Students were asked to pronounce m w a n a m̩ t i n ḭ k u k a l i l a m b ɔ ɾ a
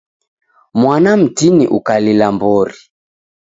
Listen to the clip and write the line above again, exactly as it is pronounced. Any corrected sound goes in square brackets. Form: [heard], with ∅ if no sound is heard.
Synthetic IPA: m w a n a m̩ t i n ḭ [ʔ] u k a l i l a m b ɔ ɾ [i]

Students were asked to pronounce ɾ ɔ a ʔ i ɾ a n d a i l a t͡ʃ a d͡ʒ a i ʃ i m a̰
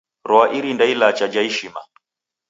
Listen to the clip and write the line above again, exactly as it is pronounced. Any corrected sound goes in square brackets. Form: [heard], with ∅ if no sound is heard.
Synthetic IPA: ɾ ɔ a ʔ i ɾ [i] n d a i l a t͡ʃ a d͡ʒ a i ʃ i m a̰

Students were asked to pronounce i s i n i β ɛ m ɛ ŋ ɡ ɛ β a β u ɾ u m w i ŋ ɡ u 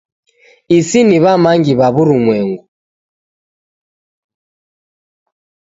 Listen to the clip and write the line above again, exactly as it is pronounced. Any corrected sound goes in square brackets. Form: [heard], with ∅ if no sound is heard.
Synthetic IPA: i s i n i β [a] m [a] ŋ ɡ [i] β a β u ɾ u m w [ɛ] ŋ ɡ u

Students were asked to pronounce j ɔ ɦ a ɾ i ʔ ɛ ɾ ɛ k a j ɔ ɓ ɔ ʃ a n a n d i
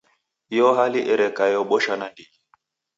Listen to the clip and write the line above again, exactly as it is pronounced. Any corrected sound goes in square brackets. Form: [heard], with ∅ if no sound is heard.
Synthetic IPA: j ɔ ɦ a [l] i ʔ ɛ ɾ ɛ k a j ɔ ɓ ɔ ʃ a n a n d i

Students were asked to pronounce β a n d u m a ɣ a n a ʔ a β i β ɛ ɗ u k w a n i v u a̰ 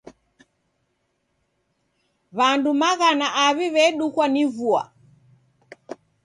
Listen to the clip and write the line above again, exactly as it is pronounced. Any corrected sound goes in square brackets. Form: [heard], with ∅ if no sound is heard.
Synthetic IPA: β a n d u m a ɣ a n a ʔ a β i β ɛ ɗ u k w a n i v u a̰

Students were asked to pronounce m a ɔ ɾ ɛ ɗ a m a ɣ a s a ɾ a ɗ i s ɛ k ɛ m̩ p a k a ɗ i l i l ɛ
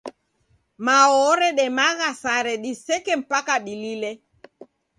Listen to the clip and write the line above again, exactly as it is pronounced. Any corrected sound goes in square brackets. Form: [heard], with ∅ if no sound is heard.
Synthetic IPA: m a ɔ ɾ ɛ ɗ [ɛ] m a ɣ a s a ɾ [ɛ] ɗ i s ɛ k ɛ m̩ p a k a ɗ i l i l ɛ

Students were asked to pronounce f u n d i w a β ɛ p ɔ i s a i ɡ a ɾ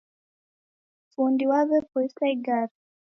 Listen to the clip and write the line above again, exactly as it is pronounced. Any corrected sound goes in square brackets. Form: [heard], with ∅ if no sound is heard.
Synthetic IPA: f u n d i w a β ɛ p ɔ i s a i ɡ a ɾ

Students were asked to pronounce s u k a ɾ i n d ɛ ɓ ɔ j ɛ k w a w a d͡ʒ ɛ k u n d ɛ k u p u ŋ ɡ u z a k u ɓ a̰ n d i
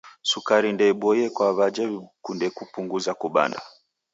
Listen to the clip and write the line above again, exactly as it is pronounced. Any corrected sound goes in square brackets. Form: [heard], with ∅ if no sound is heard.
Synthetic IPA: s u k a ɾ i n d ɛ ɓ ɔ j ɛ k w a [β] a d͡ʒ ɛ k u n d ɛ k u p u ŋ ɡ u z a k u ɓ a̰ n d [a]

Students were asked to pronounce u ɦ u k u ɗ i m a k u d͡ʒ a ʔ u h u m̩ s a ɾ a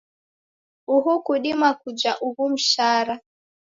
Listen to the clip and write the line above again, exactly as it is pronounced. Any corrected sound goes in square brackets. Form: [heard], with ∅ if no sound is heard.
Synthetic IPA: u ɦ u k u ɗ i m a k u d͡ʒ a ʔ u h u m̩ [ʃ] a ɾ a

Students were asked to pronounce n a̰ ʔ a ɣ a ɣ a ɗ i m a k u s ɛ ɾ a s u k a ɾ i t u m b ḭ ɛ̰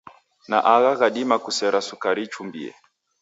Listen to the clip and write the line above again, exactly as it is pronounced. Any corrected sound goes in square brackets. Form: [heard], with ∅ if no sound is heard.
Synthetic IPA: n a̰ ʔ a ɣ a ɣ a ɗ i m a k u s ɛ ɾ a s u k a ɾ i [t͡ʃ] u m b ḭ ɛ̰

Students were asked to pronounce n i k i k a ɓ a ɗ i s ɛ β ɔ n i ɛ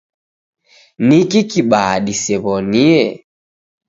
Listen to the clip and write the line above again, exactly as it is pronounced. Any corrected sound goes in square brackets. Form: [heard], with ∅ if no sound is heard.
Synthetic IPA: n i k i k [i] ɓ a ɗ i s ɛ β ɔ n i ɛ

